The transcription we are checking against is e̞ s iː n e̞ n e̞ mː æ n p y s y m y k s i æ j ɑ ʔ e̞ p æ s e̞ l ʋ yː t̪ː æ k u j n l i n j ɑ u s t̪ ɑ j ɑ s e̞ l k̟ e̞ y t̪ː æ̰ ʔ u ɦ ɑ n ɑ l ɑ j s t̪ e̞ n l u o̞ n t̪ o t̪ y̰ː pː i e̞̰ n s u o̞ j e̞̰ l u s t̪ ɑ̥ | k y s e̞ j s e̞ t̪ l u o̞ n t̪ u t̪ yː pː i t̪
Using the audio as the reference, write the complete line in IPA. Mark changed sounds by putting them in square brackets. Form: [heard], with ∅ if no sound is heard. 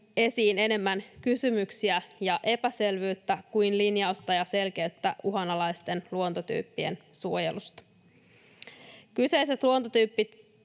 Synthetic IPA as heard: e̞ s iː n e̞ n e̞ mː æ n [k] y s y m y k s i æ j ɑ ʔ e̞ p æ s e̞ l ʋ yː t̪ː æ k u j n l i n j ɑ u s t̪ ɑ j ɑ s e̞ l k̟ e̞ y t̪ː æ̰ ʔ u ɦ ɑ n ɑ l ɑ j s t̪ e̞ n l u o̞ n t̪ o t̪ y̰ː pː i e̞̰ n s u o̞ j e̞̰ l u s t̪ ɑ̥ | k y s e̞ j s e̞ t̪ l u o̞ n t̪ [o] t̪ yː pː i t̪